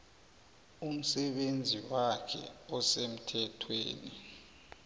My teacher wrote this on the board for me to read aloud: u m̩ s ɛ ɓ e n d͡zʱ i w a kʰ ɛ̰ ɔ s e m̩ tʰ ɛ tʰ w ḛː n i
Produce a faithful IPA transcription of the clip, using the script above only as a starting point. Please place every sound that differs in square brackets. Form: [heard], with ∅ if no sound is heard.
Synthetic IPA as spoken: u m̩ s ɛ ɓ e n d͡zʱ i w a kʰ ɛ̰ ɔ s e m̩ tʰ ɛ tʰ w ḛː n i